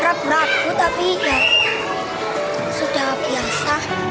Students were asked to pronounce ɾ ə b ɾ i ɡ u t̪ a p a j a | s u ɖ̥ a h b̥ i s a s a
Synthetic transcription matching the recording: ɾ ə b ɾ a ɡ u t̪ a p i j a | s u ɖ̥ a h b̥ i a s a